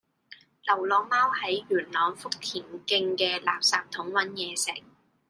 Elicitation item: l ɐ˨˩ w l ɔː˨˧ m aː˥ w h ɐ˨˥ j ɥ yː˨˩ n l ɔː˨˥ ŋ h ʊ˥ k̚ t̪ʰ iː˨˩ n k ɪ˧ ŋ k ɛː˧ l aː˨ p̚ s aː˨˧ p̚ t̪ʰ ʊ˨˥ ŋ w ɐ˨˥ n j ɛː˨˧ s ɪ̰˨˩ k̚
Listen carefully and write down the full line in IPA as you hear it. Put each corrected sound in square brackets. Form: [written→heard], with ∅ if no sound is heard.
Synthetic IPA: l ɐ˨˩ w l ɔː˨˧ m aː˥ w h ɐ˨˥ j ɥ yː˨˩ n l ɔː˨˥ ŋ [h→f] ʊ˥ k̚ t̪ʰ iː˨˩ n k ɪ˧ ŋ k ɛː˧ l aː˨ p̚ s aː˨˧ p̚ t̪ʰ ʊ˨˥ ŋ w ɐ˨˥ n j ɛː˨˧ s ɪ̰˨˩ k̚